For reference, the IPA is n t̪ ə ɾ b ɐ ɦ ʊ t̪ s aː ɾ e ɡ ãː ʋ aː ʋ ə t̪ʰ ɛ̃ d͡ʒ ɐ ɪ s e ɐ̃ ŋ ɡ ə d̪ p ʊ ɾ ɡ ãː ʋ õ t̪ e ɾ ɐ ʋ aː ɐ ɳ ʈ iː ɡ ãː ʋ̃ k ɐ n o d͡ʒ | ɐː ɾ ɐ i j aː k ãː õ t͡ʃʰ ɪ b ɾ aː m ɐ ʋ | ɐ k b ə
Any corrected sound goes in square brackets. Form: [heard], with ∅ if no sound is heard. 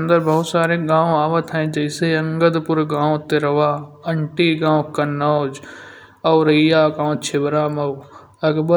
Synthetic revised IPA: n [d̪] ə ɾ b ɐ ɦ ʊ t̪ s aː ɾ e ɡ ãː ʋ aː ʋ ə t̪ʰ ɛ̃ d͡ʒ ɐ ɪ s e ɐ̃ ŋ ɡ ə d̪ p ʊ ɾ ɡ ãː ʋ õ t̪ e ɾ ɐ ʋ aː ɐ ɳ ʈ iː ɡ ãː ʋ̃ k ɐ n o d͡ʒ | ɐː ɾ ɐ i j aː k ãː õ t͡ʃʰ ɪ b ɾ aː m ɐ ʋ | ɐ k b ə